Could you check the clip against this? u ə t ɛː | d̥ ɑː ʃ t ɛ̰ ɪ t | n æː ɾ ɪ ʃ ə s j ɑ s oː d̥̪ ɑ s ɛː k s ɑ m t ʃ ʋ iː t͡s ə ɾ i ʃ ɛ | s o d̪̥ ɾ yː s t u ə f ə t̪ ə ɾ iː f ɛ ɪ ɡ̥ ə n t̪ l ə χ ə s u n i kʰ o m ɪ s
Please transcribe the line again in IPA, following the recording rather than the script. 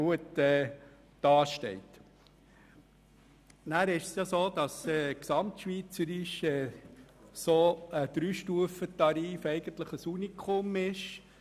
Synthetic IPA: u ə t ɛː | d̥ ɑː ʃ t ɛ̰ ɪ t | n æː ɾ ɪ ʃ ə s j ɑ s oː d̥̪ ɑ s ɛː k s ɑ m t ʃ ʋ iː t͡s ə ɾ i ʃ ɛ | s o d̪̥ ɾ yː ʃ t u ə f ə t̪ ɑ ɾ iː f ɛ ɪ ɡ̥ ə n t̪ l ə χ ə s u n i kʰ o m ɪ ʃ